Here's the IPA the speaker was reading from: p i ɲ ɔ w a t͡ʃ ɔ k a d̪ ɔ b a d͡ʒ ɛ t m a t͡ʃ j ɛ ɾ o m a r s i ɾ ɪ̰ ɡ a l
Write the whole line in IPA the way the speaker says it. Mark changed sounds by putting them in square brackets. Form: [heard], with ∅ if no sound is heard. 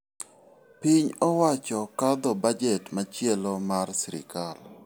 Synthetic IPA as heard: p i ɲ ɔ w a t͡ʃ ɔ k a d̪ ɔ b a d͡ʒ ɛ t m a t͡ʃ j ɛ [l] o m a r s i ɾ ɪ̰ [k] a l